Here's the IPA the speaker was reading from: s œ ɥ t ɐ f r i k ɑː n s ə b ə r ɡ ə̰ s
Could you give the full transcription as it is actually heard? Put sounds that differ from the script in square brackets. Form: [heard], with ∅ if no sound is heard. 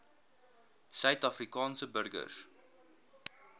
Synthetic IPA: s œ ɥ t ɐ f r i k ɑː n s ə b ə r ɡ ə̰ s